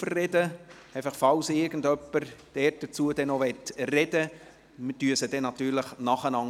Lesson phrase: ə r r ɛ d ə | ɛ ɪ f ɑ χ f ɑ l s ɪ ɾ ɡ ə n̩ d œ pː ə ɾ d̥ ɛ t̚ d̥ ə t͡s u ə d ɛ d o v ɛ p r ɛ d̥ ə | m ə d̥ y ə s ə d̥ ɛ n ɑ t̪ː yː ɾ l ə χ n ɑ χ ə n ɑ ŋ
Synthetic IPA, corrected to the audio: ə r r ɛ d ə | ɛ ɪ f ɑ χ f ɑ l s ɪ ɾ ɡ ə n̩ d œ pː ə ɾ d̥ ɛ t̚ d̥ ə t͡s u ə d ɛ n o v ɛ t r ɛ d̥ ə | m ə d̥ y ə s ə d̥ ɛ n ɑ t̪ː yː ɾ l ə χ n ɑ χ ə n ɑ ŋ